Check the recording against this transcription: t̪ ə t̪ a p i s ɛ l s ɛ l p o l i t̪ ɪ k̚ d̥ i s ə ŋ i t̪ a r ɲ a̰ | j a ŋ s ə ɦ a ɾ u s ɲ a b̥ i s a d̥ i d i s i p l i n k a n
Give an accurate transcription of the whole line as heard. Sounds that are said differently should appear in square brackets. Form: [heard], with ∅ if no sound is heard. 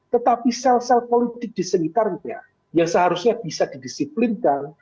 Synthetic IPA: t̪ ə t̪ a p i s ɛ l s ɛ l p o l i t̪ ɪ k̚ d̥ i s ə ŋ i t̪ a r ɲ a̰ | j a ŋ s ə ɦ a ɾ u s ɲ a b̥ i s a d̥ i d i s i p l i n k a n